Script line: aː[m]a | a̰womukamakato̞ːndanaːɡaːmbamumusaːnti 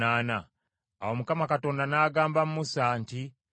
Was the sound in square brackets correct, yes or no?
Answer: no